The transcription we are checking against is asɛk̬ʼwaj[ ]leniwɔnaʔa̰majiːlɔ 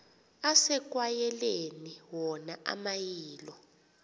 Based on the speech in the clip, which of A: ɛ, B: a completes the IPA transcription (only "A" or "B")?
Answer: A